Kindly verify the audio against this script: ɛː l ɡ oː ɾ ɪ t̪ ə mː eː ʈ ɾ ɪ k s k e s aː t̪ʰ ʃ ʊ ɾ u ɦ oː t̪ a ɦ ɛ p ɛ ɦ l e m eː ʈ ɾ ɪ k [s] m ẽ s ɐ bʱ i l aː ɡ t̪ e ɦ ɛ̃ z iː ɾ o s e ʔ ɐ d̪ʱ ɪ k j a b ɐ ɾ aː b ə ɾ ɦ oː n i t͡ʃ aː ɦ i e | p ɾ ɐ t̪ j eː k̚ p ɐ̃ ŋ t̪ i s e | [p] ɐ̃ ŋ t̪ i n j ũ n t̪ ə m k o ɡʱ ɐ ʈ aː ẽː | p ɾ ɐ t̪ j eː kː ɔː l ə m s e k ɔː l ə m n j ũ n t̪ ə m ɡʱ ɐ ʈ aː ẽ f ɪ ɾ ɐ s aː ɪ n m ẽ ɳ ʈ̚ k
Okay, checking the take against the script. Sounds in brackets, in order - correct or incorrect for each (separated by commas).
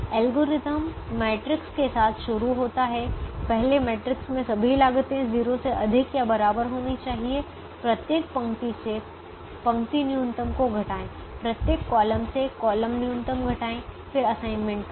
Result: correct, correct